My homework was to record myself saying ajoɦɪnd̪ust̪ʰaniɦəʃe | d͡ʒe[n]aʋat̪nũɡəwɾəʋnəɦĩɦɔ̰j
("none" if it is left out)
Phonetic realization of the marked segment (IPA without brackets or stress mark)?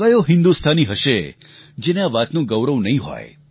n